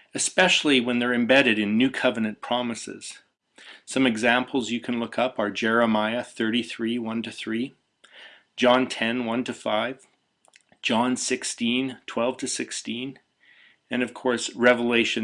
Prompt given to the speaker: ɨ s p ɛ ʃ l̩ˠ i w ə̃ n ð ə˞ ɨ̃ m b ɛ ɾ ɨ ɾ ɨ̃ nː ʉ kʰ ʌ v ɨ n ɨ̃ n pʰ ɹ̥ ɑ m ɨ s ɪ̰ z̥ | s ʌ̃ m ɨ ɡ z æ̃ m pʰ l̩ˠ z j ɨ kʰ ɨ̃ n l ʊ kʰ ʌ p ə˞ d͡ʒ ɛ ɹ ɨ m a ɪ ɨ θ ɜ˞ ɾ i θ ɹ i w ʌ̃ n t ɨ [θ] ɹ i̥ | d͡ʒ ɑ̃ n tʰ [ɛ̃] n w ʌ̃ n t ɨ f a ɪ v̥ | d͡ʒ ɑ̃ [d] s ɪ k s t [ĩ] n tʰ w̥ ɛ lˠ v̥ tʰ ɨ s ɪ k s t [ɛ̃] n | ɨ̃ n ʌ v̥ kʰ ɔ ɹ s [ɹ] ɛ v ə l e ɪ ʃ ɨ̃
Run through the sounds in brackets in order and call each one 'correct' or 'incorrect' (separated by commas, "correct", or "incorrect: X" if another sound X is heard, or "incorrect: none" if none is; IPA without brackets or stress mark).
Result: correct, correct, incorrect: n, correct, incorrect: ĩ, correct